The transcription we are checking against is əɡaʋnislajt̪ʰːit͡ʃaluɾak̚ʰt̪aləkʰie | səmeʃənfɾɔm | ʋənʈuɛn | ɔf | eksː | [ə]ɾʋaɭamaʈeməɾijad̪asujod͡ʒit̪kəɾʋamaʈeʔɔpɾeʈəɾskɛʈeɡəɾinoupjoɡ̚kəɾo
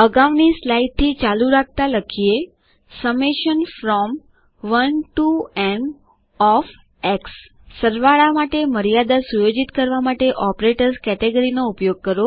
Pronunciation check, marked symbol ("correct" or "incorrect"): correct